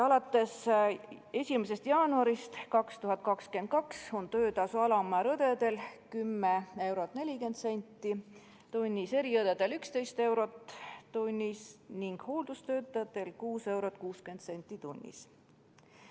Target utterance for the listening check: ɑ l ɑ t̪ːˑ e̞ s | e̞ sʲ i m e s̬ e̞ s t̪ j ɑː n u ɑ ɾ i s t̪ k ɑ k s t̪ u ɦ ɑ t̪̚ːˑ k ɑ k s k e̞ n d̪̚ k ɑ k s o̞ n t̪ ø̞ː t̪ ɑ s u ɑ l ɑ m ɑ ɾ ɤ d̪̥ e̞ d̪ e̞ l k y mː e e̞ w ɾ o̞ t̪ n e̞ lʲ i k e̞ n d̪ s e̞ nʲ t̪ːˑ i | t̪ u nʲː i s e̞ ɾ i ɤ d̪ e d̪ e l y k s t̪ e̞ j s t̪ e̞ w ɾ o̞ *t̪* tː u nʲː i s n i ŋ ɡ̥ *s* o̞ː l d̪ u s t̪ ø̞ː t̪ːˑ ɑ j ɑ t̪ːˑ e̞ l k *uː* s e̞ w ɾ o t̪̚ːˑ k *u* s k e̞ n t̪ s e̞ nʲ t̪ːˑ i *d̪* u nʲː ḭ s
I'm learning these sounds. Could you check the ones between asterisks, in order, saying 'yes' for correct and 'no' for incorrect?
yes, no, yes, no, no

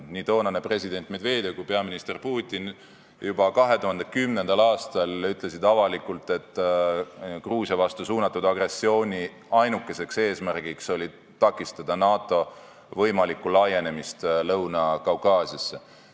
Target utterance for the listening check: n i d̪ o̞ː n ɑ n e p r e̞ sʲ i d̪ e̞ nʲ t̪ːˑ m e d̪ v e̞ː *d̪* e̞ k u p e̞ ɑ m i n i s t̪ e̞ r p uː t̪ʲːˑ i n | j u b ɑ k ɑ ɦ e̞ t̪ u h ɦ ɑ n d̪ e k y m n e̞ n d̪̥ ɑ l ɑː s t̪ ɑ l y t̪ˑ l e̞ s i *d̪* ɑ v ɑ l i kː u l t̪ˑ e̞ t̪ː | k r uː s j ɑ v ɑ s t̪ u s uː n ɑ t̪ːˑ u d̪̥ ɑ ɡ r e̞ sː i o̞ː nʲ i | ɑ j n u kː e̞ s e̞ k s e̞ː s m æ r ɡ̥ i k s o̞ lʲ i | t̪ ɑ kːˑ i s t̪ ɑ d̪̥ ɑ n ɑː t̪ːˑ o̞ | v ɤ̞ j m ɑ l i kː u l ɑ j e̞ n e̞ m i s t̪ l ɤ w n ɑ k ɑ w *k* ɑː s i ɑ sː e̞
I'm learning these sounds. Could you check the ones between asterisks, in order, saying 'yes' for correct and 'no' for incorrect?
yes, yes, yes

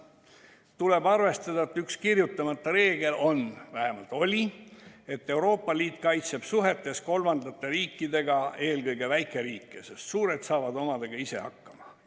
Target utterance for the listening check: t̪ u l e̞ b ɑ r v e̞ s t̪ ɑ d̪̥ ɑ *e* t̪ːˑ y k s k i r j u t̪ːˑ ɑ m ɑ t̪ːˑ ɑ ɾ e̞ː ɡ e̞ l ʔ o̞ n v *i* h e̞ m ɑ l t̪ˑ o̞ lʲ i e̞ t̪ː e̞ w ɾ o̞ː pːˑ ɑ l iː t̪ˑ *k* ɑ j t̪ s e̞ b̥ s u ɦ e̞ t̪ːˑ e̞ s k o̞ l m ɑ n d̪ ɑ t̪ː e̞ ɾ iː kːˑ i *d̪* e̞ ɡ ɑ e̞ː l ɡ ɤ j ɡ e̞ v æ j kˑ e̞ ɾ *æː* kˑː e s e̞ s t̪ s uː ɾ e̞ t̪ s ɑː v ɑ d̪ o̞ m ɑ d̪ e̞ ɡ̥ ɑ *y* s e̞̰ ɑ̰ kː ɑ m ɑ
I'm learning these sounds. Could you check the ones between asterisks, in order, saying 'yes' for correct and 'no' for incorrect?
yes, no, yes, yes, no, no

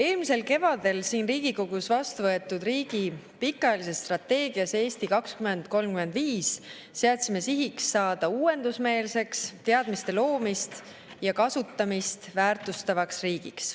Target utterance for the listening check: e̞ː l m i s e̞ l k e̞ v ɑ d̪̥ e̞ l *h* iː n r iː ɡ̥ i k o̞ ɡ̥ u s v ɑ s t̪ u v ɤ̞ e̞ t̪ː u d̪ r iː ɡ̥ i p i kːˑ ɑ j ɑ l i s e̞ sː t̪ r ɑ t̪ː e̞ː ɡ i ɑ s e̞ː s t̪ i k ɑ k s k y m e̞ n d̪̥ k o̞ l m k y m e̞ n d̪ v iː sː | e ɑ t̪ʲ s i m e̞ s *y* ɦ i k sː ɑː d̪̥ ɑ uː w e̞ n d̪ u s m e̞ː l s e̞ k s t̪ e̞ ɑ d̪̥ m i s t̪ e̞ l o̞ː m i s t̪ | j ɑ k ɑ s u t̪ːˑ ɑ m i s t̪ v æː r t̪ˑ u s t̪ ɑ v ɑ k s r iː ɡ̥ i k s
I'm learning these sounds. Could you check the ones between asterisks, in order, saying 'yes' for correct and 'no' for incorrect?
no, no

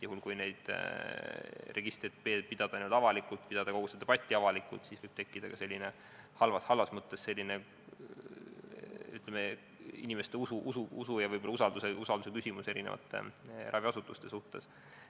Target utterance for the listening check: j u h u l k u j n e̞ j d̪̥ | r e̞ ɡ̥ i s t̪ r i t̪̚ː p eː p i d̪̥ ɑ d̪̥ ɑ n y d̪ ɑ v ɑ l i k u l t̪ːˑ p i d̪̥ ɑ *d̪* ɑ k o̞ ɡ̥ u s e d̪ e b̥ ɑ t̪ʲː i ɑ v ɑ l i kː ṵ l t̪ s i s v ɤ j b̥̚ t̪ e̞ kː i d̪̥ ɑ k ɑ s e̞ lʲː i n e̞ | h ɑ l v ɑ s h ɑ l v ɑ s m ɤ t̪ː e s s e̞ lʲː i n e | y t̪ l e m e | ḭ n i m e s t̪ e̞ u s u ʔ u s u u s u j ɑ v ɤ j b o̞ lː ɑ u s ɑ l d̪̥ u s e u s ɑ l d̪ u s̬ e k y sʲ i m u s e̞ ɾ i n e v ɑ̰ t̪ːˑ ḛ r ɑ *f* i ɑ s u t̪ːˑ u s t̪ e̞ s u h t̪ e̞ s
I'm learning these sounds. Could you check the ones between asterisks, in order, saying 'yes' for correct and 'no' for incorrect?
yes, no

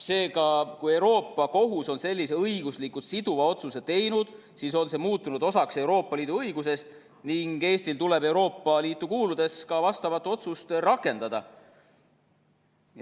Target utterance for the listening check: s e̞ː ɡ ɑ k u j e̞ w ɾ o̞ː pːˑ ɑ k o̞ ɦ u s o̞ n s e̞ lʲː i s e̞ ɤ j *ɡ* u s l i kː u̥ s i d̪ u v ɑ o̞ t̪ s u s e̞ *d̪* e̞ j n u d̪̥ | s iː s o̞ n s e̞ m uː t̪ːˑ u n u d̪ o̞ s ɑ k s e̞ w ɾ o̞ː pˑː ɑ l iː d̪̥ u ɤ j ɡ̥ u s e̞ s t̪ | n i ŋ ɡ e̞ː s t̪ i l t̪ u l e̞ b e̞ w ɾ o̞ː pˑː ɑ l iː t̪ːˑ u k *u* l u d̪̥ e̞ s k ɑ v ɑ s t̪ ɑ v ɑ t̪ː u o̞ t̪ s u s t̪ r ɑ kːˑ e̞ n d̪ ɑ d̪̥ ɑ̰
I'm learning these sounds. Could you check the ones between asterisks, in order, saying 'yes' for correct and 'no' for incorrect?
yes, no, no

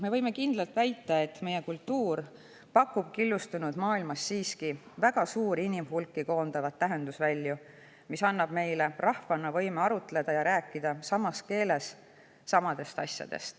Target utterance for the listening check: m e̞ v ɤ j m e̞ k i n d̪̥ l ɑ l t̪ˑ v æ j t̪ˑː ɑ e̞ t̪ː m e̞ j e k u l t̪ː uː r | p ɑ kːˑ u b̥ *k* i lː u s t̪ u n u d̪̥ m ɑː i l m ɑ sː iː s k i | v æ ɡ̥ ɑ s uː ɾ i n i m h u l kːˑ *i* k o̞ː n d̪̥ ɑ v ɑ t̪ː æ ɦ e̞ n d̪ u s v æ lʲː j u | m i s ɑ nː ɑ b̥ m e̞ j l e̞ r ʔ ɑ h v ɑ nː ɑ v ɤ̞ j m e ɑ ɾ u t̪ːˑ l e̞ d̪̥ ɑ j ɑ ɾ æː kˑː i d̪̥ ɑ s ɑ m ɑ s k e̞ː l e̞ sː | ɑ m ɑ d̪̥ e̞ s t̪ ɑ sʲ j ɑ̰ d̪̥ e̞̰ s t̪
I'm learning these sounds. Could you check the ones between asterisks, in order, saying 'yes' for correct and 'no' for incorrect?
yes, yes

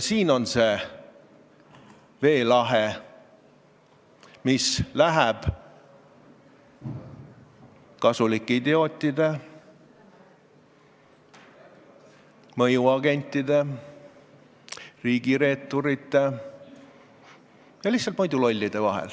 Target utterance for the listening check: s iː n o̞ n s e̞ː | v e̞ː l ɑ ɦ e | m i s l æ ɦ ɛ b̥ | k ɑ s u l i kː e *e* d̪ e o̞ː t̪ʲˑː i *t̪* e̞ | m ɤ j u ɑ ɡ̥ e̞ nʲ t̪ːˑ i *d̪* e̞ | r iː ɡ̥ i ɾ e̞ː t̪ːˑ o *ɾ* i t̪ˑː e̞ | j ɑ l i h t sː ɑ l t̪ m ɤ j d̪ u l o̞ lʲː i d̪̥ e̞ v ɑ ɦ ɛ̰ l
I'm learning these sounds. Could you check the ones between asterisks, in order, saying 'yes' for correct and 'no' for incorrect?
no, no, yes, yes

